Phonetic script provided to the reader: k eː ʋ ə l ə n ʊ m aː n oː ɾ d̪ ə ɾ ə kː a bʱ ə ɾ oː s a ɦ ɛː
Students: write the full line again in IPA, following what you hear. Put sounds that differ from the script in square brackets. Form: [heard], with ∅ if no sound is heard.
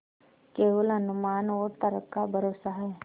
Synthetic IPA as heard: k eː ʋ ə l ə n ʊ m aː n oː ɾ [t̪] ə ɾ ə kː a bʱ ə ɾ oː s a ɦ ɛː